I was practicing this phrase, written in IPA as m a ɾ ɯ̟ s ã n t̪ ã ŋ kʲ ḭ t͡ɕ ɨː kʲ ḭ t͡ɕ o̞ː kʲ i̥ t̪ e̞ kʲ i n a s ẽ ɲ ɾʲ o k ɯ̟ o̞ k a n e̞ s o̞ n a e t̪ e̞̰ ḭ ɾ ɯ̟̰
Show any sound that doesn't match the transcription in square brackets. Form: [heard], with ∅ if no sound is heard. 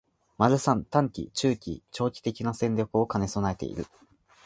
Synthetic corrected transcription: m a ɾ ɯ̟ s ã n t̪ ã ŋ kʲ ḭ t͡ɕ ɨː kʲ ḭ t͡ɕ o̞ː kʲ i̥ t̪ e̞ kʲ i n a s ẽ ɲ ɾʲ o k ɯ̟ o̞ k a n e̞ s o̞ n a e t̪ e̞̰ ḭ ɾ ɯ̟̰